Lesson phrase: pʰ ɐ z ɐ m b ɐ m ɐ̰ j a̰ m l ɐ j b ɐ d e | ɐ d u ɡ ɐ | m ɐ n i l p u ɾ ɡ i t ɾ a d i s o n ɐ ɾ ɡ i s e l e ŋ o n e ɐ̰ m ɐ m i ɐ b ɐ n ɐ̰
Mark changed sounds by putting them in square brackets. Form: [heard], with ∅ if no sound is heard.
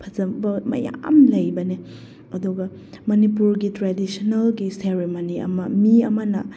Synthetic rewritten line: pʰ ɐ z ɐ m b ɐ m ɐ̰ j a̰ m l ɐ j b ɐ [n] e | ɐ d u ɡ ɐ | m ɐ n i [∅] p u ɾ ɡ i t ɾ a d i s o n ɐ [l] ɡ i s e [ɾ] e [m] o n [i] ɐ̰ m ɐ m i ɐ [m] ɐ n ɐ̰